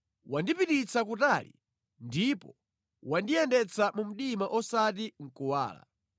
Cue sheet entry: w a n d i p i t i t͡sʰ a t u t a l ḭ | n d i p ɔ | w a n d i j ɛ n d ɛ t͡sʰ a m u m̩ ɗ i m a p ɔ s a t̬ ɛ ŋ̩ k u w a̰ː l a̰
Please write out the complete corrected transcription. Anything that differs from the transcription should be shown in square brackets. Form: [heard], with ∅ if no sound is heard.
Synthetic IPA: w a n d i p i t i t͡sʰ a [k] u t a l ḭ | n d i p ɔ | w a n d i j ɛ n d ɛ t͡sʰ a m u m̩ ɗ i m a [ʔ] ɔ s a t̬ [i] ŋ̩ k u w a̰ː l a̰